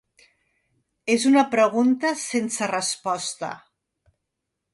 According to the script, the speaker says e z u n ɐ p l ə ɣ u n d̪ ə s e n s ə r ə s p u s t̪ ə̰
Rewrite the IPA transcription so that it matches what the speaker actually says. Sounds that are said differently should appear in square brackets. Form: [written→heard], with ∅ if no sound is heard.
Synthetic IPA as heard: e z u n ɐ p [l→ɾ] ə ɣ u n [d̪→t̪] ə s e n s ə r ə s p [u→ɔ] s t̪ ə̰